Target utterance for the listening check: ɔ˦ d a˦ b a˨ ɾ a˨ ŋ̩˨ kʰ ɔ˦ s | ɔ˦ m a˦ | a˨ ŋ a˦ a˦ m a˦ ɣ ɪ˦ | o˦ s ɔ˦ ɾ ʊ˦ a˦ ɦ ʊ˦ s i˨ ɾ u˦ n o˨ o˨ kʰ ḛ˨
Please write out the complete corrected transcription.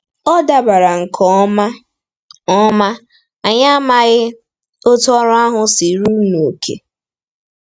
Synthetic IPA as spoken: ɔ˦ d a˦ b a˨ ɾ a˨ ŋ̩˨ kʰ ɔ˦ | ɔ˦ m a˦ | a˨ ɲ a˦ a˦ m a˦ ɣ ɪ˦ | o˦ t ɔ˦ ɾ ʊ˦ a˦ ɦ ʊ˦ s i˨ ɾ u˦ n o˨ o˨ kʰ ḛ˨

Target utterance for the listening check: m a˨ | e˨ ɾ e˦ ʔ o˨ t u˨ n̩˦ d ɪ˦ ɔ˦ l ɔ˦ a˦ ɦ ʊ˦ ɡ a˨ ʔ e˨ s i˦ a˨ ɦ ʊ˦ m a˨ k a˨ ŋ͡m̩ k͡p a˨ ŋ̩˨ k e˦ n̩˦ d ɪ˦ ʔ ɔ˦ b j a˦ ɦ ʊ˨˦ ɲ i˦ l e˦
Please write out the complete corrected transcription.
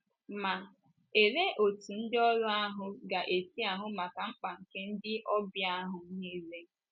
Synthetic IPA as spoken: m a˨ | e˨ ɾ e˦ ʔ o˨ t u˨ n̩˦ d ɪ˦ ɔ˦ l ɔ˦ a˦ ɦ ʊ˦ ɡ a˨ ʔ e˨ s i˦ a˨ ɦ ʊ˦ m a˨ k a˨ ŋ͡m̩ k͡p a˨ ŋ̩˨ k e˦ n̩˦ d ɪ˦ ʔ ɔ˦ b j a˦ ɦ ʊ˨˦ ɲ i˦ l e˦

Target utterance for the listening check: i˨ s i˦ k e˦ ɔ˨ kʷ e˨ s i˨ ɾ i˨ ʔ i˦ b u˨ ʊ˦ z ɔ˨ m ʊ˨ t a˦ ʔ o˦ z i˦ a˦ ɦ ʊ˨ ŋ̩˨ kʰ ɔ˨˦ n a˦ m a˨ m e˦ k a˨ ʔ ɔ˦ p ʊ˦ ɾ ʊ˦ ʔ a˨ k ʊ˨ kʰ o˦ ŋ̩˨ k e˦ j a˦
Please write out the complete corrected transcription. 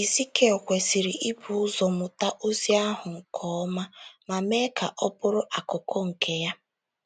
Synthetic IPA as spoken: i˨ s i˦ k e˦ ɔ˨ kʷ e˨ s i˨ ɾ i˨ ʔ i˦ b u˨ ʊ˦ z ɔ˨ m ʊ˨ t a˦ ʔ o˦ z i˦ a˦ ɦ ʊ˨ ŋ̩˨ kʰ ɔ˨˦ m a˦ m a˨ m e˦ k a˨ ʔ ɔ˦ p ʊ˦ ɾ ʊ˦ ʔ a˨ k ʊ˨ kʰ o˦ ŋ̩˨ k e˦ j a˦

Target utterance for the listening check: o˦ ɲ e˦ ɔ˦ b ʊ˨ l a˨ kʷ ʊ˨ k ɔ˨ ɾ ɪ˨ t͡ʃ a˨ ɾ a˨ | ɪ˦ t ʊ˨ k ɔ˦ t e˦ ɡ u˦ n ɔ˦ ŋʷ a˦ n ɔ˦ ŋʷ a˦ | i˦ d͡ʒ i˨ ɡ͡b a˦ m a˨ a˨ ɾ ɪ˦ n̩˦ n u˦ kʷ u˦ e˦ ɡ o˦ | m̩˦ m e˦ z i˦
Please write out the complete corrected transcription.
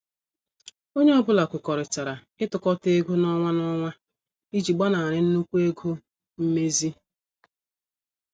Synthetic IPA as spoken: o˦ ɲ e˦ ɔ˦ b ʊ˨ l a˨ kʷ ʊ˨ k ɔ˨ ɾ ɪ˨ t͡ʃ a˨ ɾ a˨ | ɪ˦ t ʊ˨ k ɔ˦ t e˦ ɡ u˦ n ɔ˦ ŋʷ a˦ n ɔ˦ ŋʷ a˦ | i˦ d͡ʒ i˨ ɡ͡b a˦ n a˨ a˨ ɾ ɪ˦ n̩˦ n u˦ kʷ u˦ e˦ ɡ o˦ | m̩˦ m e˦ z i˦

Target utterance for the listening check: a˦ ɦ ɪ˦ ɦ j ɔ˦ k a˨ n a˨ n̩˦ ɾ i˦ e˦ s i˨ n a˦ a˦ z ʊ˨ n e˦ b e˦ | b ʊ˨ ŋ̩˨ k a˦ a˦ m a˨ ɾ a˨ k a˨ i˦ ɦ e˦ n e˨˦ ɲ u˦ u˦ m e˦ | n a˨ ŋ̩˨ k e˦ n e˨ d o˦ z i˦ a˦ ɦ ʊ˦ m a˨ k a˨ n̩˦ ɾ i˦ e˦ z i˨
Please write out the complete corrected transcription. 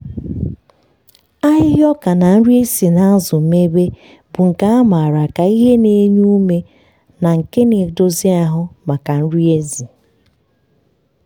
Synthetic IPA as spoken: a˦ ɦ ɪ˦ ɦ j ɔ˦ k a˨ n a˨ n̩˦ ɾ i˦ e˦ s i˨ n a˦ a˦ z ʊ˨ m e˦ b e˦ | b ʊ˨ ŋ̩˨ k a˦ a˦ m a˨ ɾ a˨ k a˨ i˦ ɦ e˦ n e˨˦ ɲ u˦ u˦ m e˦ | n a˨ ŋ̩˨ k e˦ n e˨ d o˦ z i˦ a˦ ɦ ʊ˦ m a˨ k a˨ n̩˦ ɾ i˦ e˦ z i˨

